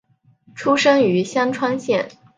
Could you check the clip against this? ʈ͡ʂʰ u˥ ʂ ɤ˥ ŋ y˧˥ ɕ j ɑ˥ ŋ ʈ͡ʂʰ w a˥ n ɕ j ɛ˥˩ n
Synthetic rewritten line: ʈ͡ʂʰ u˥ ʂ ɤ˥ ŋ y˧˥ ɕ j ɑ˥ ŋ ʈ͡ʂʰ w a˥ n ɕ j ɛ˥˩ n

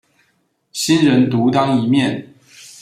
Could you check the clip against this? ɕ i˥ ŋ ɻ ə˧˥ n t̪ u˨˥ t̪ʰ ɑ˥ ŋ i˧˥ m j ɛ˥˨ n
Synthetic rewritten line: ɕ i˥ n ɻ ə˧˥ n t̪ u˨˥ t̪ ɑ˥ ŋ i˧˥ m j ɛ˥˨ n

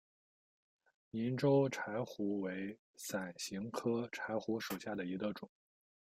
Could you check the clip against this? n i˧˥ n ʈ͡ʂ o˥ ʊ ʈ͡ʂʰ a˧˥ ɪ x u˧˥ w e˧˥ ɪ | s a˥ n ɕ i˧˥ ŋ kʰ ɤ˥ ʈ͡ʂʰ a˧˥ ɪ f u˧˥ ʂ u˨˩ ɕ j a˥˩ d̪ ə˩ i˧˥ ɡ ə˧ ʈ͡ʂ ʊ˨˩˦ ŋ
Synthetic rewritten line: n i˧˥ n ʈ͡ʂ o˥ ʊ ʈ͡ʂʰ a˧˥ ɪ x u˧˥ w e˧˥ ɪ | s a˨˩ n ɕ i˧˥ ŋ kʰ ɤ˥ ʈ͡ʂʰ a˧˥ ɪ x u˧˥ ʂ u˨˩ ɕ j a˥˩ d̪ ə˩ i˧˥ ɡ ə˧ ʈ͡ʂ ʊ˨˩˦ ŋ

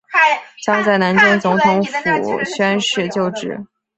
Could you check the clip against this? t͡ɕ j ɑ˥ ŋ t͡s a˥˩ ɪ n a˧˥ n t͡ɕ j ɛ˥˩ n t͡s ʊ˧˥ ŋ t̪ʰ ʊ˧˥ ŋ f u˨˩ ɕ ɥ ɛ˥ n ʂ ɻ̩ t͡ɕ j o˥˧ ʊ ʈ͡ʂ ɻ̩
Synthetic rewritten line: t͡ɕ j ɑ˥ ŋ t͡s a˥˩ ɪ n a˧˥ n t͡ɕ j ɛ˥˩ n t͡s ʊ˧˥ ŋ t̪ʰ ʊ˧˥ ŋ f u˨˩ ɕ ɥ ɛ˥ n ʂ ɻ̩ t͡ɕ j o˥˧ ʊ ʈ͡ʂ ɻ̩

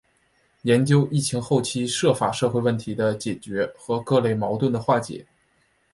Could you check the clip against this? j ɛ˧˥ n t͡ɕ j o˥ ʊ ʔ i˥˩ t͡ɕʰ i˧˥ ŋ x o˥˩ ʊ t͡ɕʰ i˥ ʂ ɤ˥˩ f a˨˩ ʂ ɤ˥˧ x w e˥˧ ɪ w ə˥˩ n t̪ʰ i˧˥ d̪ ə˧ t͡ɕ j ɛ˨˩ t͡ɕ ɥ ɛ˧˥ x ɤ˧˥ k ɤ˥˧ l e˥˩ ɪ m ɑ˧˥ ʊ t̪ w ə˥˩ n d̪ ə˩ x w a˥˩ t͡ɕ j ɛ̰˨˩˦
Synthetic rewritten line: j ɛ˧˥ n t͡ɕ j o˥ ʊ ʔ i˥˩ t͡ɕʰ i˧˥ ŋ x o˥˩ ʊ t͡ɕʰ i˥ ʂ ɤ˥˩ f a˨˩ ʂ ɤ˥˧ x w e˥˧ ɪ w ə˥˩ n t̪ʰ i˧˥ d̪ ə˧ t͡ɕ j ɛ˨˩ t͡ɕ ɥ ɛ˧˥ x ɤ˧˥ k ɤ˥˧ l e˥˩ ɪ m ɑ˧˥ ʊ t̪ w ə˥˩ n d̪ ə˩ x w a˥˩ t͡ɕ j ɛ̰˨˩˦

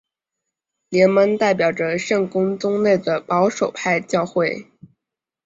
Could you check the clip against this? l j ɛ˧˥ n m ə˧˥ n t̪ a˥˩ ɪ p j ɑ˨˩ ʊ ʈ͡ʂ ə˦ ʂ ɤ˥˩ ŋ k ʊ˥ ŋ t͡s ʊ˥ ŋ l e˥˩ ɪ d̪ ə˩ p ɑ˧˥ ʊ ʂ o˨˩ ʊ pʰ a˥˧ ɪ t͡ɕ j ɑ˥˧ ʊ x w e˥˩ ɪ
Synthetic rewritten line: l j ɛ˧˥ n m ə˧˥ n t̪ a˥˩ ɪ p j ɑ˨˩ ʊ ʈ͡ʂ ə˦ ʂ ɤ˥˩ ŋ k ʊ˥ ŋ t͡s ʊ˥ ŋ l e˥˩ ɪ d̪ ə˩ p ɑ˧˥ ʊ ʂ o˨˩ ʊ pʰ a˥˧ ɪ t͡ɕ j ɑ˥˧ ʊ x w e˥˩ ɪ

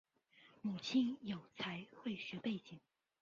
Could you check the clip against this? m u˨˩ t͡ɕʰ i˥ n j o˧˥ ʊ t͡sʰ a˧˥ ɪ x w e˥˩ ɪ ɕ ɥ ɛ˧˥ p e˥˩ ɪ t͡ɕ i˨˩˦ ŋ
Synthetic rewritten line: m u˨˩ t͡ɕʰ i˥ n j o˨˩ ʊ t͡sʰ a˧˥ ɪ x w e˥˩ ɪ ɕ ɥ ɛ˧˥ p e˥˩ ɪ t͡ɕ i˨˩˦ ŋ

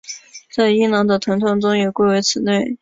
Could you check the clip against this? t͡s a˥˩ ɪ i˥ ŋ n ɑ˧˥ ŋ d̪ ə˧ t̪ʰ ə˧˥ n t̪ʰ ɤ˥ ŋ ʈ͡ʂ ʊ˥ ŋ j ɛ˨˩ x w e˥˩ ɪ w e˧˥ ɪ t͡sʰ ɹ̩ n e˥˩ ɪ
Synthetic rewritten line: t͡s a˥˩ ɪ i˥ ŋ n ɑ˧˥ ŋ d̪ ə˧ t̪ʰ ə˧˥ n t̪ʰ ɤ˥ ŋ ʈ͡ʂ ʊ˥ ŋ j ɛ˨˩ k w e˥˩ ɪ w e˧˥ ɪ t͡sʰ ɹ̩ n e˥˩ ɪ

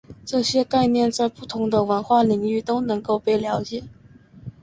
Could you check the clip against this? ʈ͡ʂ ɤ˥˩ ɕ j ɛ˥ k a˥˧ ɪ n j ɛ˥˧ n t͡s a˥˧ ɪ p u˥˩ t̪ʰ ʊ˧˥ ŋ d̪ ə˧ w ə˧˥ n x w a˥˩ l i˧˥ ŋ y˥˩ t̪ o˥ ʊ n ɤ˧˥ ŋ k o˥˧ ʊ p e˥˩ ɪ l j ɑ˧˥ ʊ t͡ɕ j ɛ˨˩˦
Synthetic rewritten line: ʈ͡ʂ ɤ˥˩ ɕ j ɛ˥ k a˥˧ ɪ n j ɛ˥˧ n t͡s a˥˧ ɪ p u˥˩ t̪ʰ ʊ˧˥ ŋ d̪ ə˧ w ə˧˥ n x w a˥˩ l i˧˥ ŋ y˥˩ t̪ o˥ ʊ n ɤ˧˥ ŋ k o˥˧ ʊ p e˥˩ ɪ l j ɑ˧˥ ʊ t͡ɕ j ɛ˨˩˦

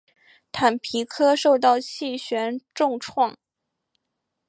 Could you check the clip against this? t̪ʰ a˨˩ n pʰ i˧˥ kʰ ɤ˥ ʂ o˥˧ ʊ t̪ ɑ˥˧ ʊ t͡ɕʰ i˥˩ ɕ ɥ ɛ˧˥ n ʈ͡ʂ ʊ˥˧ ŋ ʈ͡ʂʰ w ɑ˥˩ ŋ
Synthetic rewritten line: t̪ʰ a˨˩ n pʰ i˧˥ kʰ ɤ˥ ʂ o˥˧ ʊ t̪ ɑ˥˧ ʊ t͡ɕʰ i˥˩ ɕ ɥ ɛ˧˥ n ʈ͡ʂ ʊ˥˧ ŋ ʈ͡ʂʰ w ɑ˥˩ ŋ

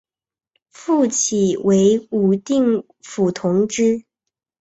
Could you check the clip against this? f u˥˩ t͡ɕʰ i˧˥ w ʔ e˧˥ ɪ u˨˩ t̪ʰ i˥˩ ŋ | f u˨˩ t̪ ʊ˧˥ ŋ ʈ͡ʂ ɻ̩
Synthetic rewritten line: f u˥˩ t͡ɕʰ i˨˩ w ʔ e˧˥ ɪ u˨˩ t̪ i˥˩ ŋ | f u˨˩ t̪ʰ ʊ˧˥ ŋ ʈ͡ʂ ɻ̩

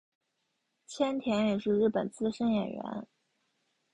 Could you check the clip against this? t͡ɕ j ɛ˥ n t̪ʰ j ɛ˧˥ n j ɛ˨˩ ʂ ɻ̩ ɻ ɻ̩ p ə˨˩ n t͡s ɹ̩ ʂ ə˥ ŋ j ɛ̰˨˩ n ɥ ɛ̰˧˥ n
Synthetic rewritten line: t͡ɕʰ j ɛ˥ n t̪ʰ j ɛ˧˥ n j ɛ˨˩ ʂ ɻ̩ ɻ ɻ̩ p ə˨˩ n t͡s ɹ̩ ʂ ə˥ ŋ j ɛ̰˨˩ n ɥ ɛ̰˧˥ n

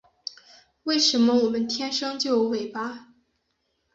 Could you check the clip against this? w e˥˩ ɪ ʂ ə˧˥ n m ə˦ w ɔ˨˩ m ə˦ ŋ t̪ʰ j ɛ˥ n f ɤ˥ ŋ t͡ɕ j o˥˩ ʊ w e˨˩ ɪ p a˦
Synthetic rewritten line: w e˥˩ ɪ ʂ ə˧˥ n m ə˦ w ɔ˨˩ m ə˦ n t̪ʰ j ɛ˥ n ʂ ɤ˥ ŋ t͡ɕ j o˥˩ ʊ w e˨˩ ɪ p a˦

